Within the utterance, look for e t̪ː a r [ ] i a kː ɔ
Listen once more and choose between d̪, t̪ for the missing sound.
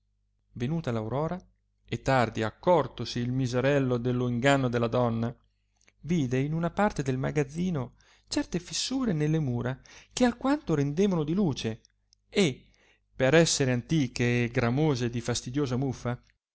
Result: d̪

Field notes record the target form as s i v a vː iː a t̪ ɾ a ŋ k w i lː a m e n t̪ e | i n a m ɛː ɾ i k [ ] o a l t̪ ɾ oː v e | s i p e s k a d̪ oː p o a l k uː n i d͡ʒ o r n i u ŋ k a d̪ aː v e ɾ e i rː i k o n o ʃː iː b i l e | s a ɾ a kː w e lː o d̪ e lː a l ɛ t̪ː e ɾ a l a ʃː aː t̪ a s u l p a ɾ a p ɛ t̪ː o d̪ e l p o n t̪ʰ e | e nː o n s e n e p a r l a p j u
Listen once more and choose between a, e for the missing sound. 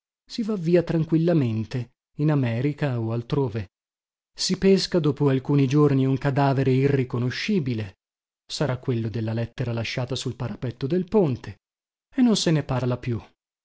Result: a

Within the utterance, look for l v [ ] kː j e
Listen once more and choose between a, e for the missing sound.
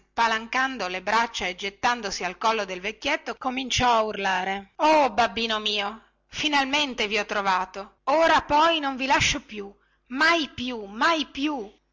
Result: e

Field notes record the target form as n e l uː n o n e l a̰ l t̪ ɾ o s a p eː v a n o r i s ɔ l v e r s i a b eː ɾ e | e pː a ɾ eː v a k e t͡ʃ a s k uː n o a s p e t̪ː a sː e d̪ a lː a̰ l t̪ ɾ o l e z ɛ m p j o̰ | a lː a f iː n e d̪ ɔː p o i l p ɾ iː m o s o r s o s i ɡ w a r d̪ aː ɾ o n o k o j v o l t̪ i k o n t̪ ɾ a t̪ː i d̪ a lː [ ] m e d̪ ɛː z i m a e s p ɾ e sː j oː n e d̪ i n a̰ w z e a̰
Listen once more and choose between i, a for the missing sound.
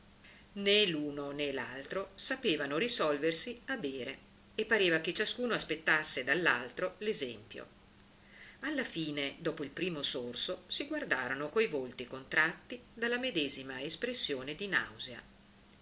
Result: a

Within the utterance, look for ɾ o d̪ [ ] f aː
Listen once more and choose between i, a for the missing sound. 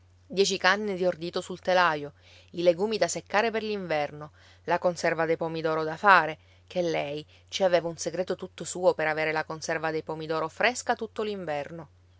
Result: a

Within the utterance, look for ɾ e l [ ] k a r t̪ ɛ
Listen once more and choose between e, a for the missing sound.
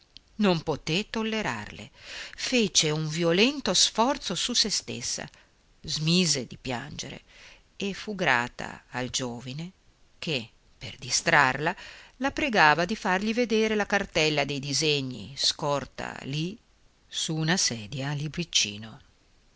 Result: a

